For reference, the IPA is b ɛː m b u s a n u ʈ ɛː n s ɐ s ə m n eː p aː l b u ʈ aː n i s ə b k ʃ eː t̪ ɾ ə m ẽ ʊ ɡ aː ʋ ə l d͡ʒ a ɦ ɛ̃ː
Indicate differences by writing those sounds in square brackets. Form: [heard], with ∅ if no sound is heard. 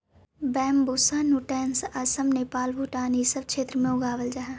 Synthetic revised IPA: b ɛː m b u s a n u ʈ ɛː n s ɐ s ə m n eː p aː l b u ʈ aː n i s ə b k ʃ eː t̪ ɾ ə m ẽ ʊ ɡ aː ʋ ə l d͡ʒ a ɦ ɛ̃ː